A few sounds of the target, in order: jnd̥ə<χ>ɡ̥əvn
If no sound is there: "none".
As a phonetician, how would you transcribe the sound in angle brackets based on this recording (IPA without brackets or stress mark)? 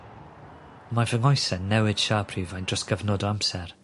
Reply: s